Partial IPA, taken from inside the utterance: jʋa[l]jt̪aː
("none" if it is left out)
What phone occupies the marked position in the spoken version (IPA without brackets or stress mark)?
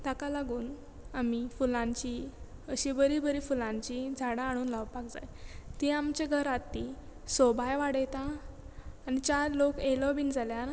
ɽ